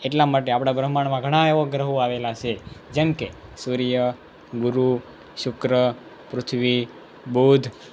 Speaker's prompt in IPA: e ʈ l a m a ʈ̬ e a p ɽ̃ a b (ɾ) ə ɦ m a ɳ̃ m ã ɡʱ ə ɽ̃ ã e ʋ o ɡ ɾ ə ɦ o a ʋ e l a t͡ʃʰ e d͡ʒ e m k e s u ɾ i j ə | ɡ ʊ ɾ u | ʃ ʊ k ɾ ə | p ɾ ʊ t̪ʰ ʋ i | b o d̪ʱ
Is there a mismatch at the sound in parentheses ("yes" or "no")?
no